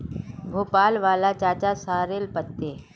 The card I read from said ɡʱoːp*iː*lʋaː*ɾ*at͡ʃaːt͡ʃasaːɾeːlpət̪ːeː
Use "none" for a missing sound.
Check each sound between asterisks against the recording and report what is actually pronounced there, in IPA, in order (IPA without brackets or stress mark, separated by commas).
aː, l